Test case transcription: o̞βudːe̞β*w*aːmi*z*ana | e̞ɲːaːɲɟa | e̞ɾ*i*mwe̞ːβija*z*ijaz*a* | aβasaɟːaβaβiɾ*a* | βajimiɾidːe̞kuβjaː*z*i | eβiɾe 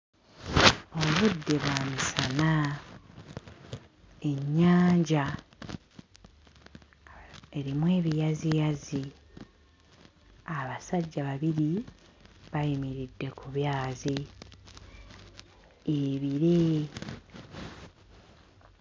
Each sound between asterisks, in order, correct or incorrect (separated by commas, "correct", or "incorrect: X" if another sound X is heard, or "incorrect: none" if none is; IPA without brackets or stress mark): correct, incorrect: s, correct, correct, incorrect: i, incorrect: i, correct